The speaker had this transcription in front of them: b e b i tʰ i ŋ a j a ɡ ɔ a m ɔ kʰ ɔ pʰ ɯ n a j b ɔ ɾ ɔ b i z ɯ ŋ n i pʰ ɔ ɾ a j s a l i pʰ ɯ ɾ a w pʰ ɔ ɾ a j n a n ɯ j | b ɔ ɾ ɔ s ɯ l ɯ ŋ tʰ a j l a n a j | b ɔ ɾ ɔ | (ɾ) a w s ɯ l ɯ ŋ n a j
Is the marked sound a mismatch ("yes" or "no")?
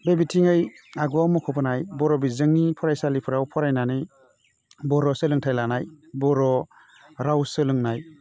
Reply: no